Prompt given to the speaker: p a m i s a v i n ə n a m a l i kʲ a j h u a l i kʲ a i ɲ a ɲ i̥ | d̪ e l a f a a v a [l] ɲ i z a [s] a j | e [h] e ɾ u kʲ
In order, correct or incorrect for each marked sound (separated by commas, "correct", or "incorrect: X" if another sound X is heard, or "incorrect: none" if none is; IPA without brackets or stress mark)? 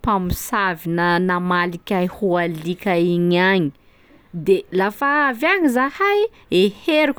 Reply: incorrect: none, incorrect: h, correct